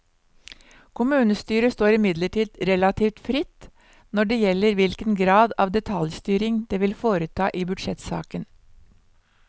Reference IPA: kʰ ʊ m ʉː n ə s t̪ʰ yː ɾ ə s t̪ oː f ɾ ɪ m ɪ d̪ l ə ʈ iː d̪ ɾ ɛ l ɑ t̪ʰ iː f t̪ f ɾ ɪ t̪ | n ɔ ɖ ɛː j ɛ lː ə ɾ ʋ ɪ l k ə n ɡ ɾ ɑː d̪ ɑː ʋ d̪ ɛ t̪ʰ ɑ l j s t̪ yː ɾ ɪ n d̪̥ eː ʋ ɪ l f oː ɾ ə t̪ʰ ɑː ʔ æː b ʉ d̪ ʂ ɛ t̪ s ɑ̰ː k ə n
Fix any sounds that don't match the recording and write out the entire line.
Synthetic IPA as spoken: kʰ ʊ m ʉː n ə s t̪ yː ɾ ə s t̪ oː ɾ ɪ m ɪ d̪ l ə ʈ iː d̪ ɾ ɛ l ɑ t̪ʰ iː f t̪ f ɾ ɪ t̪ | n ɔ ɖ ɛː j ɛ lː ə ɾ ʋ ɪ l k ə n ɡ ɾ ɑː d̪ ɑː ʋ d̪ ɛ t̪ʰ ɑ l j s t̪ yː ɾ ɪ ŋ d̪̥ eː ʋ ɪ l f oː ɾ ə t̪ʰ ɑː ʔ iː b ʉ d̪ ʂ ɛ t̪ s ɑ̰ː k ə n